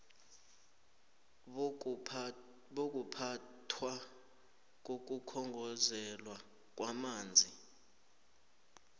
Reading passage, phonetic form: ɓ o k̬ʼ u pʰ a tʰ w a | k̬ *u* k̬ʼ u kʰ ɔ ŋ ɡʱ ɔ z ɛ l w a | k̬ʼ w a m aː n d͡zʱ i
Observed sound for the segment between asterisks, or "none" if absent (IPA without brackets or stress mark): o